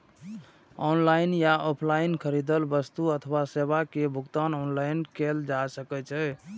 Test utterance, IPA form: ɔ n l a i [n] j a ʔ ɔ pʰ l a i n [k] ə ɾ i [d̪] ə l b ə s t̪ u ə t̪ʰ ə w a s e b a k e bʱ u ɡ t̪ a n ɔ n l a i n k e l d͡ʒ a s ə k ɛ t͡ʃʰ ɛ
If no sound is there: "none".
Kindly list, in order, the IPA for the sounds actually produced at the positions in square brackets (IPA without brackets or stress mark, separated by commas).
n, kʰ, d̪